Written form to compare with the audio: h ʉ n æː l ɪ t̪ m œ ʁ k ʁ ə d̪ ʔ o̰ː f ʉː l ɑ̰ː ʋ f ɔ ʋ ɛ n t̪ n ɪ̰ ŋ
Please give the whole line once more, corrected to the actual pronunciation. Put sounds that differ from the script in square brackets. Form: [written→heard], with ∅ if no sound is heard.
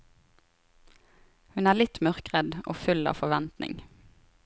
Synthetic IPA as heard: h ʉ n æː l ɪ t̪ m œ ʁ k ʁ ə d̪ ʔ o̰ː f [ʉː→ʉ] l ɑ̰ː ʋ f ɔ ʋ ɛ n t̪ n ɪ̰ ŋ

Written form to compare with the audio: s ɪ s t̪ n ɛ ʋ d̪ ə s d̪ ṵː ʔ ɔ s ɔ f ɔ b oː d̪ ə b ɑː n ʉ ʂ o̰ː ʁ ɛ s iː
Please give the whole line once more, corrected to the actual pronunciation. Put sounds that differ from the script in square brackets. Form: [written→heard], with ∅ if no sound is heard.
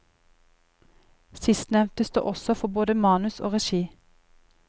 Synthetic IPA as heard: s ɪ s t̪ n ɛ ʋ [d̪→t̪] ə s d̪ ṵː ʔ ɔ s ɔ f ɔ b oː d̪ ə [b→m] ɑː n ʉ [ʂ→s] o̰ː ʁ ɛ [s→ʃ] iː

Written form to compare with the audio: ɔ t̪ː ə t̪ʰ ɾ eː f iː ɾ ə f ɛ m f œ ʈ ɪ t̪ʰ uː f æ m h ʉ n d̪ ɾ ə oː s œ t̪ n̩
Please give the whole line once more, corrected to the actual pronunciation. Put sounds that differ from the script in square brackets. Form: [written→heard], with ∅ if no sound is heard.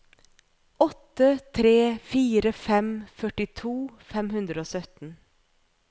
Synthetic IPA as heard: ɔ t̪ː ə t̪ʰ ɾ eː f iː ɾ ə f ɛ m f œ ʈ ɪ t̪ʰ uː f [æ→ɛ] m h ʉ n d̪ ɾ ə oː s œ t̪ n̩

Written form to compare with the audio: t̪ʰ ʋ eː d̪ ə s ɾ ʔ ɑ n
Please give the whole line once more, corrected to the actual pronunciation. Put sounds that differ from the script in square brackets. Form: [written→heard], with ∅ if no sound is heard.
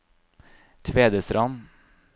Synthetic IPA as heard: t̪ʰ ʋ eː d̪ ə s ɾ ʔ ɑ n

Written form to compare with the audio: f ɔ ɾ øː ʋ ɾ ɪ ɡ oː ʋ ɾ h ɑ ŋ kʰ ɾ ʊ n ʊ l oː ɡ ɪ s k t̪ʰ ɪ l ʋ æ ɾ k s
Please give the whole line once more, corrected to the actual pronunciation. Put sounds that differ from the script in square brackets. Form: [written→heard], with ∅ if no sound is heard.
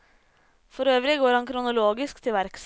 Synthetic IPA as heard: f ɔ ɾ øː ʋ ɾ ɪ ɡ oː [ʋ→∅] ɾ h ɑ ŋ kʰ ɾ ʊ n ʊ l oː ɡ ɪ s k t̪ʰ ɪ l ʋ æ ɾ k s

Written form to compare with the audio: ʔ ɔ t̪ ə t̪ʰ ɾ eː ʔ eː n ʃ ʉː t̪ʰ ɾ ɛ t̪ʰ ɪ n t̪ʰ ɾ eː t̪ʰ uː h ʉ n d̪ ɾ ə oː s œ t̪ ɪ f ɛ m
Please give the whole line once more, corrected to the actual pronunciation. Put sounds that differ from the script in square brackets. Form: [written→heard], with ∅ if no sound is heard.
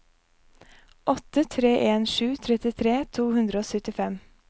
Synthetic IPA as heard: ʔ ɔ t̪ ə t̪ʰ ɾ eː ʔ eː n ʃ ʉː t̪ʰ ɾ ɛ [t̪ʰ→t̪] ɪ [n→∅] t̪ʰ ɾ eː t̪ʰ uː h ʉ n d̪ ɾ ə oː s œ t̪ ɪ f ɛ m

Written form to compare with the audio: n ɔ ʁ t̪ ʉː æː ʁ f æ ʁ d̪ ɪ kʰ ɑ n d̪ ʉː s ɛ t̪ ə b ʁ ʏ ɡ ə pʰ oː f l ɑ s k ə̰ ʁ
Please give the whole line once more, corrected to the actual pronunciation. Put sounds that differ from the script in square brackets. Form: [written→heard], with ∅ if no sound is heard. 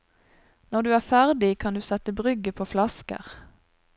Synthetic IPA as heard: n ɔ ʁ [t̪→d̪] ʉː æː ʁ f æ ʁ d̪ ɪ kʰ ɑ n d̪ ʉː s ɛ t̪ ə b ʁ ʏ ɡ ə pʰ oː f l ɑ s k ə̰ ʁ

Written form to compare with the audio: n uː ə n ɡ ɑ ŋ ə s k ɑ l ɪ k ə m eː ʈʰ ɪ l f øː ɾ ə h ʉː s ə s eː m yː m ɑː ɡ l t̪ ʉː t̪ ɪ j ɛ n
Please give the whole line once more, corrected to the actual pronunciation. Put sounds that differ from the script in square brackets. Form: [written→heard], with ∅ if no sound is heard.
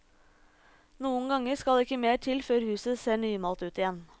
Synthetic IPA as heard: n uː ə n ɡ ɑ ŋ ə s k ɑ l ɪ k ə m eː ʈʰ ɪ l f øː ɾ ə h ʉː s ə s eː [m→ɳ] yː m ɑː [ɡ→∅] l t̪ ʉː t̪ ɪ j ɛ n

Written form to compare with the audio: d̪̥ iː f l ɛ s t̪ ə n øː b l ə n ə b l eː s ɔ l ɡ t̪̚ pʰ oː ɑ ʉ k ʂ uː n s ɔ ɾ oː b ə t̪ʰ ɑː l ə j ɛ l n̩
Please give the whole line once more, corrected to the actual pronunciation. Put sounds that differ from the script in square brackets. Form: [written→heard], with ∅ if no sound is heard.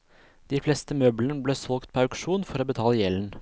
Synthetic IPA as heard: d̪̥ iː f l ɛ s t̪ ə [n→m] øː b l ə n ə b l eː s ɔ l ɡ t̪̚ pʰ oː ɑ ʉ k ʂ uː n [s→f] ɔ ɾ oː b ə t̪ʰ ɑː l ə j ɛ l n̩

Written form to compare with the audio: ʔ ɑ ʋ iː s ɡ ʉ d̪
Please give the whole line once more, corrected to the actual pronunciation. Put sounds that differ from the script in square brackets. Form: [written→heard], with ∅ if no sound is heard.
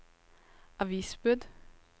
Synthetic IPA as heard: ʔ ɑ ʋ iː s [ɡ→b] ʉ d̪

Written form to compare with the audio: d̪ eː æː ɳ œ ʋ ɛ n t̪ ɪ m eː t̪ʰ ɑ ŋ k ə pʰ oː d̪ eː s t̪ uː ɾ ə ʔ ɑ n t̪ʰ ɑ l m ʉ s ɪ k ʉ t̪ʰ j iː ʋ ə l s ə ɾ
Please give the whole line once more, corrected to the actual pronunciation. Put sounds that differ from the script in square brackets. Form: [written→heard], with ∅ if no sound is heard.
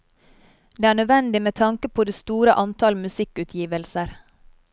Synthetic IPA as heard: d̪ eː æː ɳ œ ʋ ɛ n [t̪→d̪] ɪ m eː t̪ʰ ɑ ŋ k ə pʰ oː d̪ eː s t̪ uː ɾ ə ʔ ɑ n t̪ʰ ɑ l m ʉ s ɪ k ʉ t̪ʰ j iː ʋ ə l s ə ɾ

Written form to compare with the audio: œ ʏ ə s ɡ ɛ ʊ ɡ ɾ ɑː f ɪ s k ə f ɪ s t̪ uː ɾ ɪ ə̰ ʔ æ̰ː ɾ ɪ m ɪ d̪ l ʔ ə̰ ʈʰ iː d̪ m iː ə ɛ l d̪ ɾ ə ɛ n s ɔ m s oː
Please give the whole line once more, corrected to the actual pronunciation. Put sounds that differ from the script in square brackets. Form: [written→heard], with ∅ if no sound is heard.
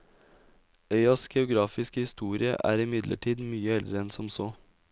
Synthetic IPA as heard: œ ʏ [ə→ɑ] s ɡ ɛ ʊ ɡ ɾ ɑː f ɪ s k ə [f→h] ɪ s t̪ uː ɾ ɪ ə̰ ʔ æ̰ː ɾ ɪ m ɪ d̪ l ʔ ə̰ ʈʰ iː d̪ m [iː→yː] ə ɛ l d̪ ɾ ə ɛ n s ɔ m s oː

